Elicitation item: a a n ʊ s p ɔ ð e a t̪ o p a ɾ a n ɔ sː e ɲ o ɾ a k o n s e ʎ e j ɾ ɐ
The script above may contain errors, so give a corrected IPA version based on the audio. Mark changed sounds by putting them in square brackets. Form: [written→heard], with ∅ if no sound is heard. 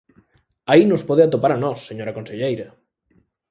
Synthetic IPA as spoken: a [a→i] n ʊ s p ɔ ð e a t̪ o p a ɾ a n ɔ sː e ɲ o ɾ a k o n s e ʎ e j ɾ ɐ